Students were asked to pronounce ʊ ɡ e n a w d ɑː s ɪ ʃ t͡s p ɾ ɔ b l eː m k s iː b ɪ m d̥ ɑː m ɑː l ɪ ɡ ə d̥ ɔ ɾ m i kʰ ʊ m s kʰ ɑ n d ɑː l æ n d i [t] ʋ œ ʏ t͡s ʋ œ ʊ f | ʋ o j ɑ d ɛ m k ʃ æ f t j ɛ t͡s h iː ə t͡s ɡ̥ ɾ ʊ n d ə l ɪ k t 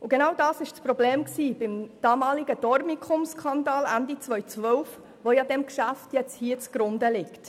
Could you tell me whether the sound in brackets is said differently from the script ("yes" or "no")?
yes